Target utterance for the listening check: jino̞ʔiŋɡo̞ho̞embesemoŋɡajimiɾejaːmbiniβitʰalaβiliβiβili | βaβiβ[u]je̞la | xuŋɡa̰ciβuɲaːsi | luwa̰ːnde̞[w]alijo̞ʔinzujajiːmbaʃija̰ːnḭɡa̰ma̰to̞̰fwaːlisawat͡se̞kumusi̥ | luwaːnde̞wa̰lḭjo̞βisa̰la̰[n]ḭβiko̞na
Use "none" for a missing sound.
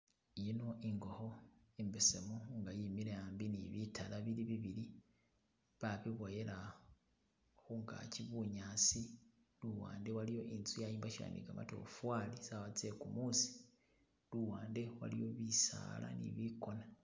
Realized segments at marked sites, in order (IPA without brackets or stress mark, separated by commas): o, w, n